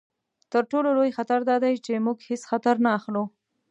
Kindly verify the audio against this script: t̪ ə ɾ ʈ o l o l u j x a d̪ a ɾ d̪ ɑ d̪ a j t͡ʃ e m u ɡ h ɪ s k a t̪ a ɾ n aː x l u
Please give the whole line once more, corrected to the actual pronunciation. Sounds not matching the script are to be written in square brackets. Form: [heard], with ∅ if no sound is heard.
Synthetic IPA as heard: t̪ ə ɾ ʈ o l o l [o] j x a [t̪] a ɾ d̪ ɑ d̪ a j t͡ʃ e m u ɡ h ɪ s [x] a t̪ a ɾ n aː x l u